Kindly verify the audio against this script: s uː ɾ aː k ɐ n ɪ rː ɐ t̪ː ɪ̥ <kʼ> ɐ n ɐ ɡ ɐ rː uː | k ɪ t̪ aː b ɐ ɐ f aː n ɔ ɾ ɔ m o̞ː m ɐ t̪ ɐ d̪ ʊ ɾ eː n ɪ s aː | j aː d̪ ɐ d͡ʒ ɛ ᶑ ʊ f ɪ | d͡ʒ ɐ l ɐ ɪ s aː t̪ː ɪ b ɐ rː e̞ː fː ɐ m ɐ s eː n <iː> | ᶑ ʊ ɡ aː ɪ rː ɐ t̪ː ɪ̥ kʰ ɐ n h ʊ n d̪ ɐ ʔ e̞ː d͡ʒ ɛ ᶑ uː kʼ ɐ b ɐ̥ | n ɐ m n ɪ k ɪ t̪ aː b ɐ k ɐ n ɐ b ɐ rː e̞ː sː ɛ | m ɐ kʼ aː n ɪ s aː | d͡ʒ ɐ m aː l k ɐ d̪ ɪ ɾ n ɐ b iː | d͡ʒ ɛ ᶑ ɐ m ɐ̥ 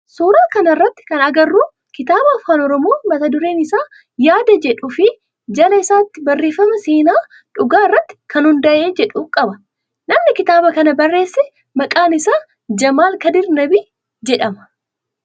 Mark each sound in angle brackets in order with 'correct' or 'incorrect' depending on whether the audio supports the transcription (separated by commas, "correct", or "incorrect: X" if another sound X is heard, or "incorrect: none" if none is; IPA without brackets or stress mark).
incorrect: k, incorrect: aː